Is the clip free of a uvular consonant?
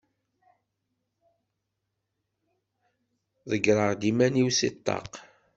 no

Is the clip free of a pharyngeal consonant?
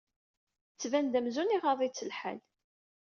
no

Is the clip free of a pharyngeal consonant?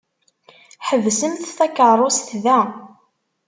no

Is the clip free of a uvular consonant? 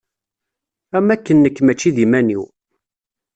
yes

